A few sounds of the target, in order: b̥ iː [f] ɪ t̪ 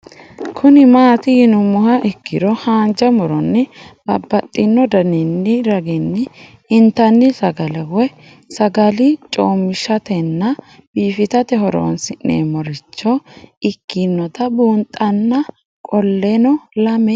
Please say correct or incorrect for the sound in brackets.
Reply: correct